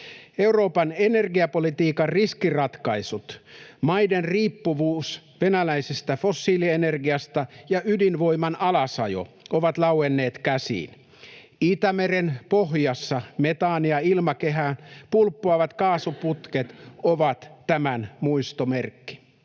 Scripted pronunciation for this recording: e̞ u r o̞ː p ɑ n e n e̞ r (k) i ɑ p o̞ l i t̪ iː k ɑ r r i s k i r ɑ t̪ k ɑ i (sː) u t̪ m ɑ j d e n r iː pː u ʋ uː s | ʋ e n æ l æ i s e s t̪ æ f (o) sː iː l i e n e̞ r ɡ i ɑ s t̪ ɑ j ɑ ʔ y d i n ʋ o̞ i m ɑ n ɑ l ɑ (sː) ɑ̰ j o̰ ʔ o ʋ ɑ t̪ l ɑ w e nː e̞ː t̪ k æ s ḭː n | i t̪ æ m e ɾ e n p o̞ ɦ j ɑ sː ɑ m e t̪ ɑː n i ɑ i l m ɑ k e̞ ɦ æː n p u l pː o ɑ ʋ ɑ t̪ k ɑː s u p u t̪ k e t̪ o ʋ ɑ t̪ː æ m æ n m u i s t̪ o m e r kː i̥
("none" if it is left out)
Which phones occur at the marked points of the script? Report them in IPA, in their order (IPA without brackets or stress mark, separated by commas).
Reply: ɡ, s, o, s